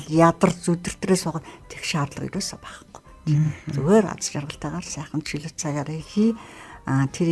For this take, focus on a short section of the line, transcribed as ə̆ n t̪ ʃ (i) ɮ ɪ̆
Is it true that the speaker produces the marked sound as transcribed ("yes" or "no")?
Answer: yes